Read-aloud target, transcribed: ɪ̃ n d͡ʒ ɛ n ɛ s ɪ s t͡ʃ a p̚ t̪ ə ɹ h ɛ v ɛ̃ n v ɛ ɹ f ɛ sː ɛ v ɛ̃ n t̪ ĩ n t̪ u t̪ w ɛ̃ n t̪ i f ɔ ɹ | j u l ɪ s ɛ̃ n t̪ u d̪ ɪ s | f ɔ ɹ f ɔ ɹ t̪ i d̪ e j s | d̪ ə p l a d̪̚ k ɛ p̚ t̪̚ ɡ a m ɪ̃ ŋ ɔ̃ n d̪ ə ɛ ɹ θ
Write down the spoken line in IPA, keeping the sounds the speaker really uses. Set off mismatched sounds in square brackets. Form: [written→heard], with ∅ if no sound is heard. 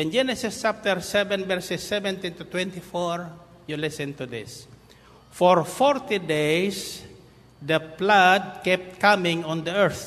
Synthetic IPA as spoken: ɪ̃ n d͡ʒ ɛ n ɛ s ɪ s t͡ʃ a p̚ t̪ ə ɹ [h→s] ɛ v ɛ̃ n v ɛ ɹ [f→s] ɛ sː ɛ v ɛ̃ n t̪ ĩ n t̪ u t̪ w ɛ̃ n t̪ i f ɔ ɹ | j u l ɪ s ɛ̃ n t̪ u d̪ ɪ s | f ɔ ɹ f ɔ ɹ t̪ i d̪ e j s | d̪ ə p l a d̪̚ k ɛ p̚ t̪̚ [ɡ→k] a m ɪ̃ ŋ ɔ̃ n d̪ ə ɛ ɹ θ

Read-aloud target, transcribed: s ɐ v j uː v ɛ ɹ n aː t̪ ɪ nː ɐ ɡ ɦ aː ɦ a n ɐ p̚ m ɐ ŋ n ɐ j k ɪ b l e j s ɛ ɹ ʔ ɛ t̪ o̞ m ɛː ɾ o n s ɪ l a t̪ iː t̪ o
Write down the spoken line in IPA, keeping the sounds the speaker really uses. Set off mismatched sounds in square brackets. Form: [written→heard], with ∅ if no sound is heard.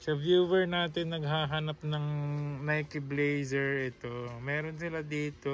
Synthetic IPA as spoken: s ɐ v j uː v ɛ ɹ n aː t̪ ɪ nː ɐ ɡ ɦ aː ɦ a n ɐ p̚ [m→n] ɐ ŋ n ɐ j k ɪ b l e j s ɛ ɹ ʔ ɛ t̪ o̞ m ɛː ɾ o n s ɪ l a [t̪→d̪] iː t̪ o

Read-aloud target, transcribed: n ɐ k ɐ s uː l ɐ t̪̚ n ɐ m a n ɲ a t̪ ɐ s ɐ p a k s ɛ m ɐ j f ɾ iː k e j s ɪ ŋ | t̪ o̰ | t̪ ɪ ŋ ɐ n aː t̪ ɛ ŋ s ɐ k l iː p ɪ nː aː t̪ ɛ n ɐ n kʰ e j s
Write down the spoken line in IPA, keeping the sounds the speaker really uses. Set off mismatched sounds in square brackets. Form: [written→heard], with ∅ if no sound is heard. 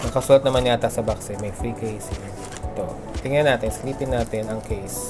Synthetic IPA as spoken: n ɐ k ɐ s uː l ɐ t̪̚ n ɐ m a n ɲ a t̪ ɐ s ɐ [p→b] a k s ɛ m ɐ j f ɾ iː k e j s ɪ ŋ | t̪ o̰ | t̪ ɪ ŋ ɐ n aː t̪ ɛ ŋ s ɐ [k→∅] l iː p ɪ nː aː t̪ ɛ n ɐ [n→ŋ] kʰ e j s

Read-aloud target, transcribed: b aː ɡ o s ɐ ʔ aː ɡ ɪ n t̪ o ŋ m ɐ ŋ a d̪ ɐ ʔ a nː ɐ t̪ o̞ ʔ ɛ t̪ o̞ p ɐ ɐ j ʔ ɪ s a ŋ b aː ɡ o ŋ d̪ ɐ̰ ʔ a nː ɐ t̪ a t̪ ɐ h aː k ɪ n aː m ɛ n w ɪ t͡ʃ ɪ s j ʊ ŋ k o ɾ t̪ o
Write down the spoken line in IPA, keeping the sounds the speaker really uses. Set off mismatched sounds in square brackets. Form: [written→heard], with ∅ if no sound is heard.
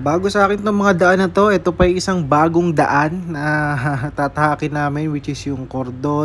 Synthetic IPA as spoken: b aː ɡ o s ɐ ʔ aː [ɡ→k] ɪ n t̪ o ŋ m ɐ ŋ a d̪ ɐ ʔ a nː ɐ t̪ o̞ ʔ ɛ t̪ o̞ p ɐ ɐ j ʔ ɪ s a ŋ b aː ɡ o ŋ d̪ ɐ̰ ʔ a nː ɐ t̪ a t̪ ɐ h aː k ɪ n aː m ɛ n w ɪ t͡ʃ ɪ s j ʊ ŋ k o ɾ [t̪→d̪] o

